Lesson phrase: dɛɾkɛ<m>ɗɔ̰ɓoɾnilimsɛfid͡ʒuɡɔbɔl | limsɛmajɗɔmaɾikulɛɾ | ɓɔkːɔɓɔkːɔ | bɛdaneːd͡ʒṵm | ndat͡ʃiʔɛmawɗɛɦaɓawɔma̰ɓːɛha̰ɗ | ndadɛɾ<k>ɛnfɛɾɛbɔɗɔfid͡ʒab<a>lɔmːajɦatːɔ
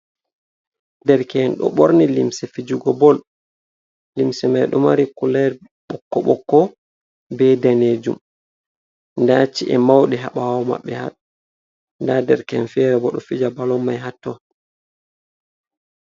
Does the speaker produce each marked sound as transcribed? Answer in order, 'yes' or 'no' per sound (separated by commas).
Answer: no, yes, yes